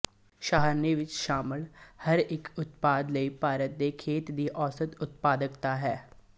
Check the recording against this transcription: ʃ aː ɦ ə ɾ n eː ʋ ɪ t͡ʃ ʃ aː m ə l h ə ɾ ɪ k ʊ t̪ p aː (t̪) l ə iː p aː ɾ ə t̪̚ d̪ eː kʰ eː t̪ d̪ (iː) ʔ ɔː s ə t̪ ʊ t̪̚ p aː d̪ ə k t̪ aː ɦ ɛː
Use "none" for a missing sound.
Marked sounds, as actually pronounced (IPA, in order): d̪, iː

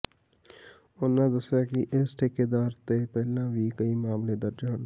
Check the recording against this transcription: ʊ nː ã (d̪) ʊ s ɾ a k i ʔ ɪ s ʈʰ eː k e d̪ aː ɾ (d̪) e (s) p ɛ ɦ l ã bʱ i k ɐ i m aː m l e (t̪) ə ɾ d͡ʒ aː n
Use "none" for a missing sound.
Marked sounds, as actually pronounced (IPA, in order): d̪, t̪, none, d̪

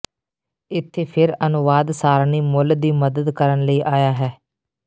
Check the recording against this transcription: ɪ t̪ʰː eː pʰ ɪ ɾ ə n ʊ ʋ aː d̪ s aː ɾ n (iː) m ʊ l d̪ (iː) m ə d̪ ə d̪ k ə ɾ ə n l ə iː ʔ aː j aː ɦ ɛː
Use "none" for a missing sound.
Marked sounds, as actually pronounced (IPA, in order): iː, iː

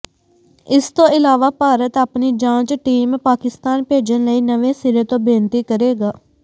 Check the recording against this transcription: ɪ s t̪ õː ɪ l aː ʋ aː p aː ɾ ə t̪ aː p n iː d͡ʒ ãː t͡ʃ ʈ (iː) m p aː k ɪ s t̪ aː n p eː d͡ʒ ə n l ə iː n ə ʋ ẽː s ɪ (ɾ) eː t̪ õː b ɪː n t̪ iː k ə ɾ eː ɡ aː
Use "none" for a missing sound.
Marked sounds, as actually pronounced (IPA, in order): iː, ɾ

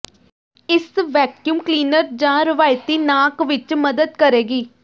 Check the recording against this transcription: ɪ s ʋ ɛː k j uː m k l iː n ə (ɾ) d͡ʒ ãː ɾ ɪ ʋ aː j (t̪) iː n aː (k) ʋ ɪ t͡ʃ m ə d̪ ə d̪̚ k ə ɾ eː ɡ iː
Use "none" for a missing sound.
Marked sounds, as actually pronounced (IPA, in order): ɾ, t̪, k

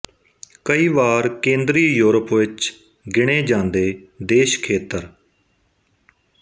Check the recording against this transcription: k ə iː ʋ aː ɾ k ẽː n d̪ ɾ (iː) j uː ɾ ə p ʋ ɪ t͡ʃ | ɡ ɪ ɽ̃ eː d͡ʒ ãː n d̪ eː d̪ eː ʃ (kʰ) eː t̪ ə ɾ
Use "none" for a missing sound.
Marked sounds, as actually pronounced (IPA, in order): iː, kʰ

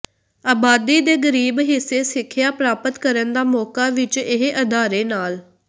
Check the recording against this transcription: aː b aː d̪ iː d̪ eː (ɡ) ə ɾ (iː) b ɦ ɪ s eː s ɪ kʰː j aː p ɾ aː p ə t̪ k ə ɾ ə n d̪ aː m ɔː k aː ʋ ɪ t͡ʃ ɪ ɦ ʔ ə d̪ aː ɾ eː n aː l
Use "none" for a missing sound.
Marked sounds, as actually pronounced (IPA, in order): ɡ, iː

